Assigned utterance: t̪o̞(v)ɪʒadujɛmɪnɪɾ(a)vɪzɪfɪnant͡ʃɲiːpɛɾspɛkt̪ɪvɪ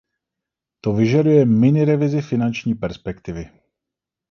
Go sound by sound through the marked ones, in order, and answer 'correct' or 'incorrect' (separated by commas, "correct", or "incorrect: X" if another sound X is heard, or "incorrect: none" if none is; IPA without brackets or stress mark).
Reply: correct, incorrect: ɛ